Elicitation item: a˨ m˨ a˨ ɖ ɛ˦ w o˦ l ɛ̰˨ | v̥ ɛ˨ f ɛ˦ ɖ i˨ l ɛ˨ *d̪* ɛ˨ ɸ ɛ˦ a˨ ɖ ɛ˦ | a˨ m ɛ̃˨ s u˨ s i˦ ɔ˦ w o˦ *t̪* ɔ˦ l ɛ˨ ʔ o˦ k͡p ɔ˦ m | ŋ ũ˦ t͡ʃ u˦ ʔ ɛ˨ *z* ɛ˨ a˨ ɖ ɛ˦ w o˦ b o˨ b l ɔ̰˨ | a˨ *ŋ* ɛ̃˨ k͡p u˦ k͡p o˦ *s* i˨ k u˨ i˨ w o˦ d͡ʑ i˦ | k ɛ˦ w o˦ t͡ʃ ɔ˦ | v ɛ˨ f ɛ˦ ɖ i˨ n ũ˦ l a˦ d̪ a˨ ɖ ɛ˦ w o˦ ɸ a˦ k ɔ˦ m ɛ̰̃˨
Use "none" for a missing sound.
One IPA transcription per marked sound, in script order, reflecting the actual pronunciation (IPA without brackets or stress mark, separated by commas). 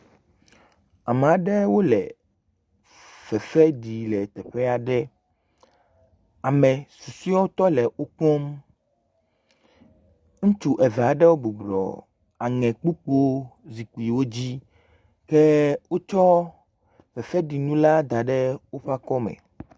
t̪, t̪, v, ŋ, z